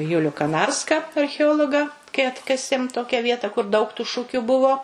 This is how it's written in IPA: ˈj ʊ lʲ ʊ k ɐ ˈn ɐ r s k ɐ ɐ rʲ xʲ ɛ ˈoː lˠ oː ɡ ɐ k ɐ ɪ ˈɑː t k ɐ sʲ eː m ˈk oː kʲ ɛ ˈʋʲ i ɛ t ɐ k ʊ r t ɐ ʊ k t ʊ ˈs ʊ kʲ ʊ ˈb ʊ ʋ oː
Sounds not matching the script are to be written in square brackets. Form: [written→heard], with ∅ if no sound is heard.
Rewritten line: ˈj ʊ lʲ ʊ k ɐ ˈn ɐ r s k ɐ ɐ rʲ xʲ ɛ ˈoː lˠ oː ɡ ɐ k ɐ ɪ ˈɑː t k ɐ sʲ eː m [ˈk→ˈt] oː kʲ ɛ ˈʋʲ i ɛ t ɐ k ʊ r [t→d] ɐ ʊ k t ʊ [ˈs→ˈʃ] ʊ kʲ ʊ ˈb ʊ ʋ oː